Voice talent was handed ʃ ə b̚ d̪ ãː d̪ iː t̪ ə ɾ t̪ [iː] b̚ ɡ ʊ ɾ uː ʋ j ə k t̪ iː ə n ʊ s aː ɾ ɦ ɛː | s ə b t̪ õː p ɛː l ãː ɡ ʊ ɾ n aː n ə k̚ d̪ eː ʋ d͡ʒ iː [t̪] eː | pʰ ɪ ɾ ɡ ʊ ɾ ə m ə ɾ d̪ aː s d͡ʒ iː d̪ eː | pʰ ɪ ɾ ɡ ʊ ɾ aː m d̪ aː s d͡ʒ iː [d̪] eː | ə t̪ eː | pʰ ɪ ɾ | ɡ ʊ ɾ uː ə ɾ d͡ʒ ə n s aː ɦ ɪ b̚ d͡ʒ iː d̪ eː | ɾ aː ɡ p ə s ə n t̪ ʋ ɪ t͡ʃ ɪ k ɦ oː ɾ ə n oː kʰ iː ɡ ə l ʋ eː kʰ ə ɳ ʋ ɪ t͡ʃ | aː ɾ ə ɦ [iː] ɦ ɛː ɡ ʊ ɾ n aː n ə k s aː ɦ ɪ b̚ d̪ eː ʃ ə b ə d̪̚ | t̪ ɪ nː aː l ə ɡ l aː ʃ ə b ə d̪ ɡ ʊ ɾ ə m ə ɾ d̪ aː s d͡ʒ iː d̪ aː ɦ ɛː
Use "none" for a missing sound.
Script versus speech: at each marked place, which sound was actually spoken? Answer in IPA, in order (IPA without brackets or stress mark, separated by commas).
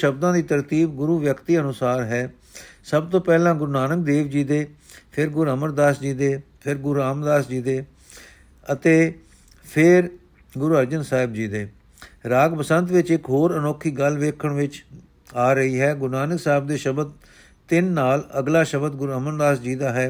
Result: iː, d̪, d̪, iː